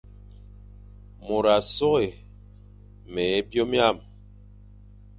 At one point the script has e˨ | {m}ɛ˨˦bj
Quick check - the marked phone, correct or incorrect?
correct